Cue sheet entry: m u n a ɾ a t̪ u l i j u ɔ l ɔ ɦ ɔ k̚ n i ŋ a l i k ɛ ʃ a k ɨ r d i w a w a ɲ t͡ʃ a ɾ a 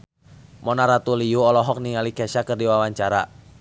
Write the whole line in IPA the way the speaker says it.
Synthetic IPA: m ɔ n a ɾ a t̪ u l i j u ɔ l ɔ ɦ ɔ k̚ n i ŋ a l i k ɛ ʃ a k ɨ r d i w a w a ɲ t͡ʃ a ɾ a